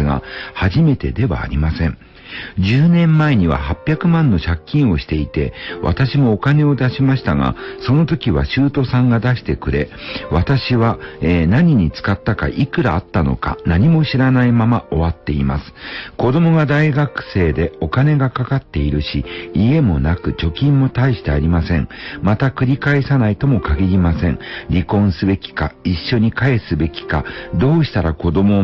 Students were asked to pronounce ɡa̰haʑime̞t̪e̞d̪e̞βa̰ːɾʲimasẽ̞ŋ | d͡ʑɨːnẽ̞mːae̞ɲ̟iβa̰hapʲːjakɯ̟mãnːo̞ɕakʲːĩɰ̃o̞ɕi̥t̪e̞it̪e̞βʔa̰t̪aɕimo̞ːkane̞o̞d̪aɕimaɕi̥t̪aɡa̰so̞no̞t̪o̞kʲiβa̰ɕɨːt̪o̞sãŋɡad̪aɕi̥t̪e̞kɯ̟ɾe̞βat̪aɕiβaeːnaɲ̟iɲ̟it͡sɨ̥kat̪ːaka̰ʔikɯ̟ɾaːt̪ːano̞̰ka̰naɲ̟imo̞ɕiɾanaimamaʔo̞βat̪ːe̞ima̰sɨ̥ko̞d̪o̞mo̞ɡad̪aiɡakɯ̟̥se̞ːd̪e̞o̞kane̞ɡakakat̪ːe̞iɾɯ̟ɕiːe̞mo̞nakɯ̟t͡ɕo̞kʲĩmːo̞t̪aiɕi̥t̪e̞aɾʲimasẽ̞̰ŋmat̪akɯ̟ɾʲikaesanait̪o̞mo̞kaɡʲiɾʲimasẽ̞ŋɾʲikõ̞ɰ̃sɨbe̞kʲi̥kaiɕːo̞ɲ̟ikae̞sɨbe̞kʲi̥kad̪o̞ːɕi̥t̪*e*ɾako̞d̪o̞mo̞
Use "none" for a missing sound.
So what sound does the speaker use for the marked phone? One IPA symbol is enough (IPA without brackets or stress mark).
a